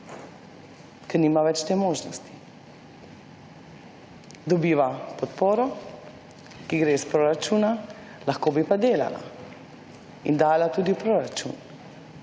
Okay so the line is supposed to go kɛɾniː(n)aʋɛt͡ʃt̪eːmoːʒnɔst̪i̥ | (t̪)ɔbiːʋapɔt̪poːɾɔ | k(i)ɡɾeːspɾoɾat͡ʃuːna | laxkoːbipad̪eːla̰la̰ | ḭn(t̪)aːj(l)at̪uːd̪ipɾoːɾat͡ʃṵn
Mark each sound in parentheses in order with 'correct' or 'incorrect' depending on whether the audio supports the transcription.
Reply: incorrect, incorrect, correct, incorrect, correct

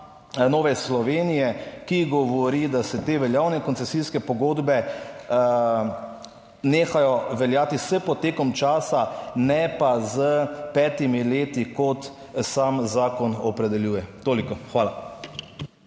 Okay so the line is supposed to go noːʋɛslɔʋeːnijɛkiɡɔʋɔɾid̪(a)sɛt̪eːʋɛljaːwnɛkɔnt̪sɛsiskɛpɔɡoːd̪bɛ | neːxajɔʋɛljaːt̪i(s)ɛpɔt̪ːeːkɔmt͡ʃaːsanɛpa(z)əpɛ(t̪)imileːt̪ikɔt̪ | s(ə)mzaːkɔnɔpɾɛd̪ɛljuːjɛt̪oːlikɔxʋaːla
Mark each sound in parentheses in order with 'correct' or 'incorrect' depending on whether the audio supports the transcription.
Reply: correct, correct, correct, correct, incorrect

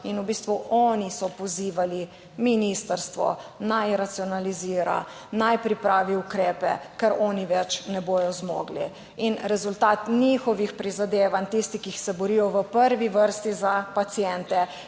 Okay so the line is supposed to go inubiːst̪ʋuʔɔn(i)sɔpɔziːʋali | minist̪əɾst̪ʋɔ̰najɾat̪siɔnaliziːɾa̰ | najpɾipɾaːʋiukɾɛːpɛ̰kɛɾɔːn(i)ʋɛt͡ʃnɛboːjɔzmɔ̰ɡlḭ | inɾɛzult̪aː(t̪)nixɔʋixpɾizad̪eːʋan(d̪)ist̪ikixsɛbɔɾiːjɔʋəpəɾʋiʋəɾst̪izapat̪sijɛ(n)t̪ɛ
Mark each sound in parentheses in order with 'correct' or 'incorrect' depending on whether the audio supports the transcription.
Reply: correct, correct, correct, incorrect, correct

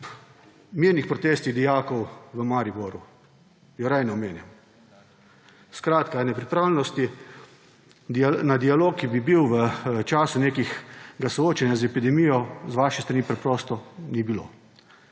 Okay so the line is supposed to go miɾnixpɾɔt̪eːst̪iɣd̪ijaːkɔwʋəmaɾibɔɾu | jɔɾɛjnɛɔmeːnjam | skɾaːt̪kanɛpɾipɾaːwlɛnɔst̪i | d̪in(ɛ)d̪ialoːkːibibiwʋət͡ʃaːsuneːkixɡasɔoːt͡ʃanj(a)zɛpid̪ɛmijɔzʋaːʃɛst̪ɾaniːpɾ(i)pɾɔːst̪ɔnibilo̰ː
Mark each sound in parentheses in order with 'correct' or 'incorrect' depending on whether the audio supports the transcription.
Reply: incorrect, correct, incorrect

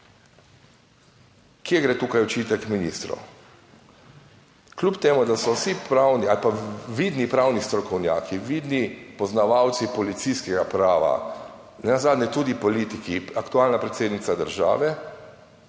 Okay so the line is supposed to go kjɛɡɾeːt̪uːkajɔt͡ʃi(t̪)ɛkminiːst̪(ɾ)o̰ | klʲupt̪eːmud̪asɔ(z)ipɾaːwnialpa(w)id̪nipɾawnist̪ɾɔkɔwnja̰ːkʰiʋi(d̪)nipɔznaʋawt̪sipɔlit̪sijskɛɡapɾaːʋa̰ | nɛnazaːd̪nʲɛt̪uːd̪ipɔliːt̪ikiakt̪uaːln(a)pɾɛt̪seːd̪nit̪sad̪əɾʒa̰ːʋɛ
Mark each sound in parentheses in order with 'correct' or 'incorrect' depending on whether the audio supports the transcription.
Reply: correct, correct, incorrect, incorrect, correct, correct

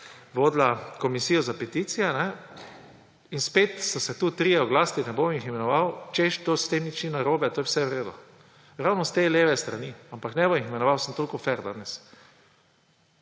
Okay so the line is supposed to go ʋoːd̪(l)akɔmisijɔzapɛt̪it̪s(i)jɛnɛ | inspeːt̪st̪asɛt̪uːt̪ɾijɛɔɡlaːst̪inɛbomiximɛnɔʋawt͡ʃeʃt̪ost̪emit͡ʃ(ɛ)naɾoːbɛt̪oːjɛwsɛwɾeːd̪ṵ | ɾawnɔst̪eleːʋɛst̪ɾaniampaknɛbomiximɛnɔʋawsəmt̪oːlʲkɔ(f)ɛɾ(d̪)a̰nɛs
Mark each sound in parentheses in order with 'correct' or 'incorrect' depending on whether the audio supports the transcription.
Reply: correct, correct, incorrect, correct, correct

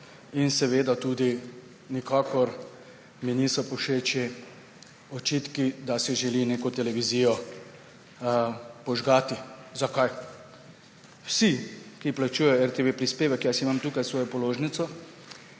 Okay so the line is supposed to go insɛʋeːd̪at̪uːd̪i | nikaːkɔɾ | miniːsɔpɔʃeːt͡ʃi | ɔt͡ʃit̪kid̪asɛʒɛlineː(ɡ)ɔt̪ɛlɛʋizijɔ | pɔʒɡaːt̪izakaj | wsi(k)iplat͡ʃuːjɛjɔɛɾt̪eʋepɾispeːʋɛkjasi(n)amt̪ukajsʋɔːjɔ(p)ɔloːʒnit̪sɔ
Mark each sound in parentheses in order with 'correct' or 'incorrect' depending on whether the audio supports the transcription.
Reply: incorrect, correct, incorrect, correct

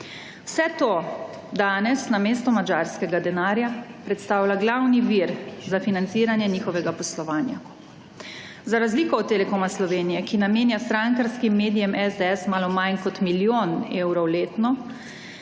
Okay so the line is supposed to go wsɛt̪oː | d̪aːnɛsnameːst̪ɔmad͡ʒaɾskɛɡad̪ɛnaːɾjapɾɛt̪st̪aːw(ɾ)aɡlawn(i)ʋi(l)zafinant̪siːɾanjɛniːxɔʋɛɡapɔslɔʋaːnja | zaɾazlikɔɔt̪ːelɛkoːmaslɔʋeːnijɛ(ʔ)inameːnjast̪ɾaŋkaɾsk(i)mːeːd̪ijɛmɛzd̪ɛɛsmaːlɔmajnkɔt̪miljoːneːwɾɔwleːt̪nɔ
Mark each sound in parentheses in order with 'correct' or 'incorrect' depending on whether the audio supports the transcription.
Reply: incorrect, correct, incorrect, incorrect, correct

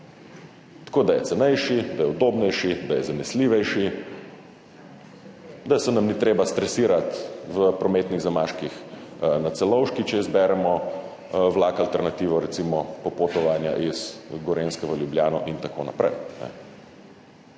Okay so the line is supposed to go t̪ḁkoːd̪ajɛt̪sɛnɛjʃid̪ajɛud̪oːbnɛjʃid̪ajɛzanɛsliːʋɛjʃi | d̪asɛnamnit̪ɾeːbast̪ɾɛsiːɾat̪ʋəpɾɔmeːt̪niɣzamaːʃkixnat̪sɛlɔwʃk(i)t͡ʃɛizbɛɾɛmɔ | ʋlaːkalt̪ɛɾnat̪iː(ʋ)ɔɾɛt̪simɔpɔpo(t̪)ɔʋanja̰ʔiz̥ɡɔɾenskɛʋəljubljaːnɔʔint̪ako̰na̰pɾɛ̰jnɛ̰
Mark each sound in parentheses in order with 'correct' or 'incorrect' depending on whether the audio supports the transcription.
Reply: correct, correct, correct

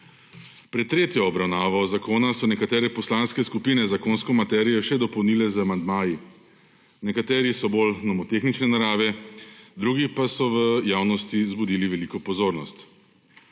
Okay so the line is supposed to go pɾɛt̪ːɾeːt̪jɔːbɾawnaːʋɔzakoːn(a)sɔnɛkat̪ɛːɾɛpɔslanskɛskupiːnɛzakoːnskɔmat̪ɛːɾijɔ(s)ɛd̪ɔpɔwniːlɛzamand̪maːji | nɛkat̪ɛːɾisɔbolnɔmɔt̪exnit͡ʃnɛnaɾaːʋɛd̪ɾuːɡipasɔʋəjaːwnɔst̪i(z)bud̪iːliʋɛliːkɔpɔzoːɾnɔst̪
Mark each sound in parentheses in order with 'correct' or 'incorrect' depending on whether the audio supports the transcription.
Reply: correct, incorrect, correct

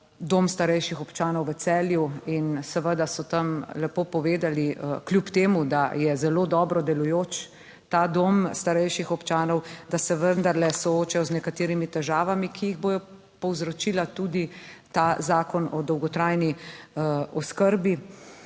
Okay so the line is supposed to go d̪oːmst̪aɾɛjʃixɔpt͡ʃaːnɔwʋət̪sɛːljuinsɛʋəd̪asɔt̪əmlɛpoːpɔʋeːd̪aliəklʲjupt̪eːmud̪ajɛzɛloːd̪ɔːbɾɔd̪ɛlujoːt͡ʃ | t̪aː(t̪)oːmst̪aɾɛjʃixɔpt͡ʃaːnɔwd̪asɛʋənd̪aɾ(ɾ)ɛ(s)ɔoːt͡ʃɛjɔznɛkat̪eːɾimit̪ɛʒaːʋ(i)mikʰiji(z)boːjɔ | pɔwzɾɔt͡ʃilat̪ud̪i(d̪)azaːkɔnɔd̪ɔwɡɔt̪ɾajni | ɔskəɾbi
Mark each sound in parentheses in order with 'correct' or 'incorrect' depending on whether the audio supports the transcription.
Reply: incorrect, incorrect, correct, incorrect, incorrect, incorrect

